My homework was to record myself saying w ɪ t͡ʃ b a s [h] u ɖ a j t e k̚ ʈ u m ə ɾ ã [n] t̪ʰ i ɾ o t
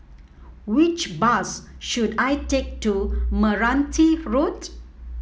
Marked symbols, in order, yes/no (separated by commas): no, yes